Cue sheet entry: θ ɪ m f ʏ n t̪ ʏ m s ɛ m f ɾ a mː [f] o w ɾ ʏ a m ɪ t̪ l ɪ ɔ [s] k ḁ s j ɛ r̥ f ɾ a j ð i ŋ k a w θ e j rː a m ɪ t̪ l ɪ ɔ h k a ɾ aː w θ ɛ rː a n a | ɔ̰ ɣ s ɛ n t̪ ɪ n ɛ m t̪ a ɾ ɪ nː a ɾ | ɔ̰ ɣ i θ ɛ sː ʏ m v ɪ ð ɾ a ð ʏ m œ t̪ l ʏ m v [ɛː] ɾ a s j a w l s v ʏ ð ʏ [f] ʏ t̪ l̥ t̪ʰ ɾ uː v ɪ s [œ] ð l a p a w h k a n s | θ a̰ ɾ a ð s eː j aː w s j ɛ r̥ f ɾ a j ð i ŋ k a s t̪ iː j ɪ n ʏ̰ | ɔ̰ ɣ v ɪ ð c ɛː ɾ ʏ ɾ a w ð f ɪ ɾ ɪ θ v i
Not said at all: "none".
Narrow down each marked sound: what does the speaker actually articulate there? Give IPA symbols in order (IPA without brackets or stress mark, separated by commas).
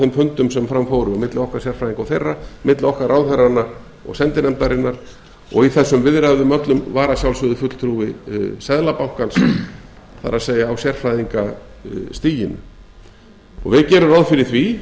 f, h, aː, f, ɛ